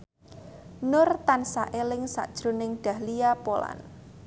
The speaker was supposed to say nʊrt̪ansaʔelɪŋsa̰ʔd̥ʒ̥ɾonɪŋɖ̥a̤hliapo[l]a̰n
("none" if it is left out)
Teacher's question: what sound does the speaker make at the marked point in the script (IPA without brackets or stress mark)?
l